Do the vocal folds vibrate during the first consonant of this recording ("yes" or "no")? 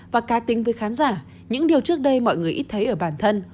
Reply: yes